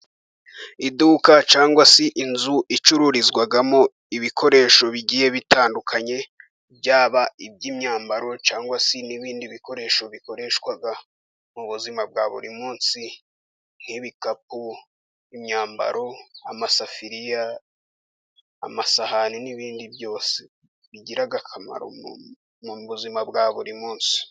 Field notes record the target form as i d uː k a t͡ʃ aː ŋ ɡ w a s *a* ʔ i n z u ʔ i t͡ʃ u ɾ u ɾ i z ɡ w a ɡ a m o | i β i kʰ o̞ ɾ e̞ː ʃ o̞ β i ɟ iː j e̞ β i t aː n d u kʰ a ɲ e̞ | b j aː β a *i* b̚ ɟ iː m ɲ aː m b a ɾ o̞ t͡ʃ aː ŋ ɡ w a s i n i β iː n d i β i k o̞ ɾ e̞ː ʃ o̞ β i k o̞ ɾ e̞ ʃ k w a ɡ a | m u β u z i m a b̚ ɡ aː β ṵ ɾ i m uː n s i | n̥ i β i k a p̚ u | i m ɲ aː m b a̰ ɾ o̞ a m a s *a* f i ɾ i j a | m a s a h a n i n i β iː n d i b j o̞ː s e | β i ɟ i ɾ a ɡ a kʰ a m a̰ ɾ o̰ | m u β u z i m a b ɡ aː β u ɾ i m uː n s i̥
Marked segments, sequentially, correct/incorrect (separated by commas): incorrect, correct, correct